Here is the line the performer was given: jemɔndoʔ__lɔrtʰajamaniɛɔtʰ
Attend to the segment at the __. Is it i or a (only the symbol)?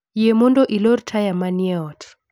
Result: i